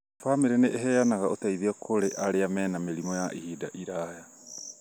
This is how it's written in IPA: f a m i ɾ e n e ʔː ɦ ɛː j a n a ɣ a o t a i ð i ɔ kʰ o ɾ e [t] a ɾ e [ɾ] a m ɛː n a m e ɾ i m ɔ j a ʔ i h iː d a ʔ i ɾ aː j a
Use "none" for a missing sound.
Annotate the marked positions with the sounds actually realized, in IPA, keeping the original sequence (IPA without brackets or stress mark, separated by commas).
ʔ, none